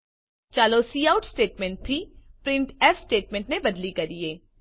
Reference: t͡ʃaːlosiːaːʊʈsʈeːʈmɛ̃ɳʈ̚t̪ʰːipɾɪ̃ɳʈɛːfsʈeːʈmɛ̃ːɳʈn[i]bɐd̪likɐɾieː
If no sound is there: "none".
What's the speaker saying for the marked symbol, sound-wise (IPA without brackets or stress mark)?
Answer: e